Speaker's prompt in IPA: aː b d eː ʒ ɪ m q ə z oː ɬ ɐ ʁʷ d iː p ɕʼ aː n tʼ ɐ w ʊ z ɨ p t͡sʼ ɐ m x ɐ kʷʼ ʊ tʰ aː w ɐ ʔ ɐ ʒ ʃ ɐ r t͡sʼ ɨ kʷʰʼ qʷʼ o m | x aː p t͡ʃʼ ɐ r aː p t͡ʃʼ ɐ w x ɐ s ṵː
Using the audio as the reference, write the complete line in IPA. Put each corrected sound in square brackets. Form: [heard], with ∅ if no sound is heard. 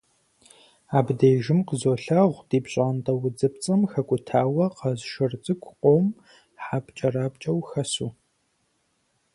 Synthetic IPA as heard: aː b d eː ʒ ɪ m q ə z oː ɬ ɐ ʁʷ d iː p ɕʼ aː n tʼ ɐ w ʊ [d͡z] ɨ p t͡sʼ ɐ m x ɐ kʷʼ ʊ tʰ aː w ɐ [q] ɐ [z] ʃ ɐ r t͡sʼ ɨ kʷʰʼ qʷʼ o m | [ħ] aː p t͡ʃʼ ɐ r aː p t͡ʃʼ ɐ w x ɐ s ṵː